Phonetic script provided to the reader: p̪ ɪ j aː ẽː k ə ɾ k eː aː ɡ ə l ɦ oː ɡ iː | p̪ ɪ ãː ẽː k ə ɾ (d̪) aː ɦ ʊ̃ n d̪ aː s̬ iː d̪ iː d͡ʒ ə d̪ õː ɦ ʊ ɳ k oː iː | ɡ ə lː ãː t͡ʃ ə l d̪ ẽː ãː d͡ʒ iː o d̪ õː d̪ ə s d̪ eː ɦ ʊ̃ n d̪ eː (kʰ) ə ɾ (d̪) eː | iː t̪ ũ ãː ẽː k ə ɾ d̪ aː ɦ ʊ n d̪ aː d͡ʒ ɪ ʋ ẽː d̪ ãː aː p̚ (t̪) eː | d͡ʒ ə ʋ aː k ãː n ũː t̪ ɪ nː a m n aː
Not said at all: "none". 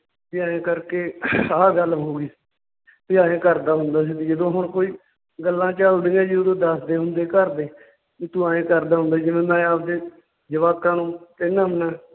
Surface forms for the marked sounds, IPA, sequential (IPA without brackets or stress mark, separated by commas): d̪, k, d̪, d̪